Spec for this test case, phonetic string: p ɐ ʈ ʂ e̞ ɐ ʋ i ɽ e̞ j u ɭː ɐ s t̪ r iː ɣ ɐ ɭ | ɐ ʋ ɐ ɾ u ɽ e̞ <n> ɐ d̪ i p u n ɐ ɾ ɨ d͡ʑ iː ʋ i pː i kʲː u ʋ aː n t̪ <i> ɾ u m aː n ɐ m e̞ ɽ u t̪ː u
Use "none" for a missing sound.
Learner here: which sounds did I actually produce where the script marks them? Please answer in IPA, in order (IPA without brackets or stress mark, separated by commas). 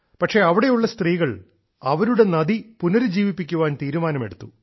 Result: n, iː